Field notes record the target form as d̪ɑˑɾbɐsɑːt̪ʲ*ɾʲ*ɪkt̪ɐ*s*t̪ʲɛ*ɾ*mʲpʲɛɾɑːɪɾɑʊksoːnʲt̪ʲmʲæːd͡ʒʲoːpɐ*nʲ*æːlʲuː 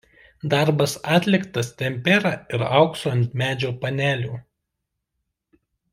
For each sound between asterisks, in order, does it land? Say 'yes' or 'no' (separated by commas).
no, yes, no, yes